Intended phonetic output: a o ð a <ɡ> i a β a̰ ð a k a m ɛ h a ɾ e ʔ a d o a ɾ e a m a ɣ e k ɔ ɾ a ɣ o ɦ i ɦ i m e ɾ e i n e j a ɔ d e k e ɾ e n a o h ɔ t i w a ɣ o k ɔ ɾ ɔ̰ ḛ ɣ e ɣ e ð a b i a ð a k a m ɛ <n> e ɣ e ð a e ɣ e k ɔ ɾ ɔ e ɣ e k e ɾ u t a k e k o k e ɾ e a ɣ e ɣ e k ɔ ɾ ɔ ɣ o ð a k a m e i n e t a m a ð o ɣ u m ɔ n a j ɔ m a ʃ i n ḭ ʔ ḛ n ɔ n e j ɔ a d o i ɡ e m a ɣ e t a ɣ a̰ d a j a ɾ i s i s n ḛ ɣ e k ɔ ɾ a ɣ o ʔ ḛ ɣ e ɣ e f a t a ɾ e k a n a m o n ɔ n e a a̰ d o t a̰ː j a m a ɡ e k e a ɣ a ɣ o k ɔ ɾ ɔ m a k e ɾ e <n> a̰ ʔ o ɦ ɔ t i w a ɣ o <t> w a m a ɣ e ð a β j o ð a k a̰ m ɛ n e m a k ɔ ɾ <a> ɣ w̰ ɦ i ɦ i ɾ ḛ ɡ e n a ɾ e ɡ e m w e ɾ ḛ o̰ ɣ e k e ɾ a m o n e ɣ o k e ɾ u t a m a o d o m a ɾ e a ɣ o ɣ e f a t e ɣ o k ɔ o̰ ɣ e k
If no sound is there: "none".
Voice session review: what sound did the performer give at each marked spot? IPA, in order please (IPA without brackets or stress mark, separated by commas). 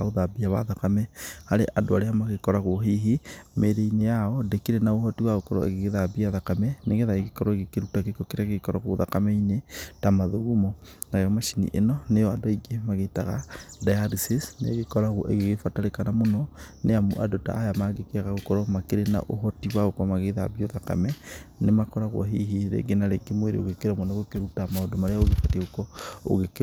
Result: b, n, n, k, a